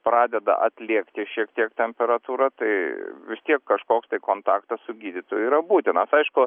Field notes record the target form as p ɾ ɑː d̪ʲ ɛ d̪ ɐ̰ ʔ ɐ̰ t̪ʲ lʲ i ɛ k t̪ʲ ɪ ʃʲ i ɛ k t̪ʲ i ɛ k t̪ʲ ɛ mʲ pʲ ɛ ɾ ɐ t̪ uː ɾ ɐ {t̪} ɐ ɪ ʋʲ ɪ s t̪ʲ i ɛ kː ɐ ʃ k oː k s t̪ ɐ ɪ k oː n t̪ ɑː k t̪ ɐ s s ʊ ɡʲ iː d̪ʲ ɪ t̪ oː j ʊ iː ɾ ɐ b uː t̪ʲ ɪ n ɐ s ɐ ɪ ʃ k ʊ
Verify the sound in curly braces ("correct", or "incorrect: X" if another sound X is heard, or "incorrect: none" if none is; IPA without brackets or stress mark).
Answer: correct